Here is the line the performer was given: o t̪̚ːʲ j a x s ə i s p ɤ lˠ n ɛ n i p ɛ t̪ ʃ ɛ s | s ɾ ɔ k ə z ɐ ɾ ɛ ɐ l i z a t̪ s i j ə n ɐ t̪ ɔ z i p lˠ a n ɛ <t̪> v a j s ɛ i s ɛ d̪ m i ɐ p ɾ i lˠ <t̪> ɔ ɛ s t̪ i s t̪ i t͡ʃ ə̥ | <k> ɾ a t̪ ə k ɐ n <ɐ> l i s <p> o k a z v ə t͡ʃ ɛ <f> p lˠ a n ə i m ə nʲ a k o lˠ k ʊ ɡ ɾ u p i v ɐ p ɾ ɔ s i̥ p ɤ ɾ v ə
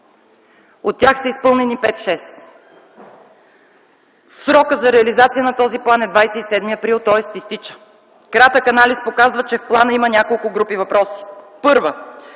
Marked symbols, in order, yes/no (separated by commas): no, yes, yes, no, yes, yes